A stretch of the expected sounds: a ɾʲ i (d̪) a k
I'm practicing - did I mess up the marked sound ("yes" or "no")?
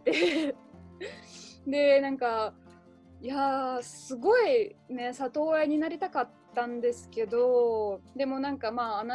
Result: yes